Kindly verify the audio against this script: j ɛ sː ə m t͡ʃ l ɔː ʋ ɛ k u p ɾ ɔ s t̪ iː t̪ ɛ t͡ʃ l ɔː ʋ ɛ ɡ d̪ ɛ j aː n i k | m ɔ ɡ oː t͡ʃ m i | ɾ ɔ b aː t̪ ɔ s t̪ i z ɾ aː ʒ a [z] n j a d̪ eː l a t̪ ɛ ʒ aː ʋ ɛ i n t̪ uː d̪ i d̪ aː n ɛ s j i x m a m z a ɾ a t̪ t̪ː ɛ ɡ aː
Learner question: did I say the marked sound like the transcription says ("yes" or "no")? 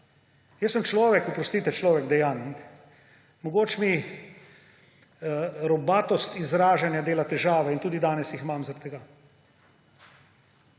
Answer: no